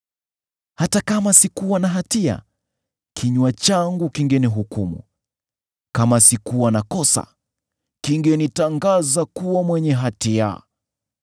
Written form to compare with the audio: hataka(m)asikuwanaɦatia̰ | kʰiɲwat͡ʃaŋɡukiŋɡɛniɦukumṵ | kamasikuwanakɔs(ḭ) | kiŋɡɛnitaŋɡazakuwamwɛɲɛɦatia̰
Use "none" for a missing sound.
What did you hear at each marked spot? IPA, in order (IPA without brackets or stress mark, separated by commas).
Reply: m, a̰